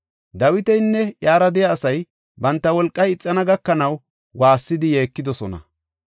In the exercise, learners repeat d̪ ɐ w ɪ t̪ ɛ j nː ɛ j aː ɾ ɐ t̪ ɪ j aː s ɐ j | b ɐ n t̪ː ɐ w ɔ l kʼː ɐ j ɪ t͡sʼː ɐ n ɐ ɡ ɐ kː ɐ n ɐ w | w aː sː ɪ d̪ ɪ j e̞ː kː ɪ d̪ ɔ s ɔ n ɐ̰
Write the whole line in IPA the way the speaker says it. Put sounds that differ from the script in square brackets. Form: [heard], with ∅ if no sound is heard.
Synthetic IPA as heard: d̪ ɐ w ɪ t̪ ɛ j nː ɛ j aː ɾ ɐ [d̪] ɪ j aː s ɐ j | b ɐ n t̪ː ɐ w ɔ l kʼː ɐ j ɪ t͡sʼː ɐ n ɐ ɡ ɐ kː ɐ n ɐ w | w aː sː ɪ d̪ ɪ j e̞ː kː ɪ d̪ ɔ s ɔ n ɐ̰